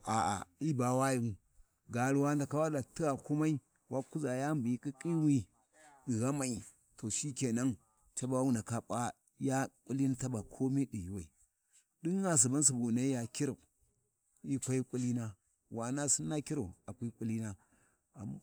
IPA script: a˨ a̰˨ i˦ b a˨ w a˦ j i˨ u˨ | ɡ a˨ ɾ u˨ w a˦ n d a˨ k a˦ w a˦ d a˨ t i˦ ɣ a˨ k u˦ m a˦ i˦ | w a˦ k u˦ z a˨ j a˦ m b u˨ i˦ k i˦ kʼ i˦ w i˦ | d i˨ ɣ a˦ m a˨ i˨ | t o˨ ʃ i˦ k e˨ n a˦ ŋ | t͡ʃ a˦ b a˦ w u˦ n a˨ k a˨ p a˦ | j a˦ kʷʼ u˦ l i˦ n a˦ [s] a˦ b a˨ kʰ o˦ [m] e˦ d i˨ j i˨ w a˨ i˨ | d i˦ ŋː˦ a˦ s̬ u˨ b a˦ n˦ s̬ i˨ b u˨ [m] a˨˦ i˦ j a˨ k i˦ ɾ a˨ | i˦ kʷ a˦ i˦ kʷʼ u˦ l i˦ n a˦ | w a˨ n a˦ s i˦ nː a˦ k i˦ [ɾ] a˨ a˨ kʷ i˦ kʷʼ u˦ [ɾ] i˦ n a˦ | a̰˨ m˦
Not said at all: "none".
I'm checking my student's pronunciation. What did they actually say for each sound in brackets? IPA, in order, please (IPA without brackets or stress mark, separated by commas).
t, m, n, ɾ, l